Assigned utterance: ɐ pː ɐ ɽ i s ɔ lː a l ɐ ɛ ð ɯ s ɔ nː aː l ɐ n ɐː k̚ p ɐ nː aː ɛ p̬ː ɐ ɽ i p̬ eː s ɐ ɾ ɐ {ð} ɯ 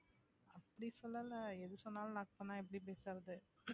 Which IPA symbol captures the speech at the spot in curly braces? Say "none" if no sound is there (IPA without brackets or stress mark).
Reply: ð